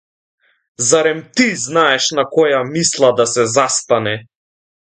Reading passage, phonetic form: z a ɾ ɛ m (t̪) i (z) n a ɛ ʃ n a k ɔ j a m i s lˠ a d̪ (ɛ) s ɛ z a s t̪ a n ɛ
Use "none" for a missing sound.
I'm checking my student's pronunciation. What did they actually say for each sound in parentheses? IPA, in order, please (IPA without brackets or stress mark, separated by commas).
t̪, z, a